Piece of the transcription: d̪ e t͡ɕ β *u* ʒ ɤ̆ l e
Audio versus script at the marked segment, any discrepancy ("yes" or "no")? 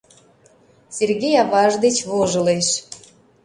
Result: yes